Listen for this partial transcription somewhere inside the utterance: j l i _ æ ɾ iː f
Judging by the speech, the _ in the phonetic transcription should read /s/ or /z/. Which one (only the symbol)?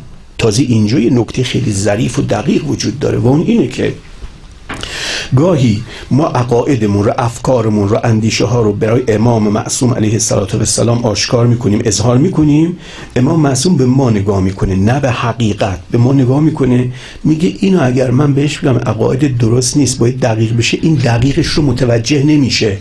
z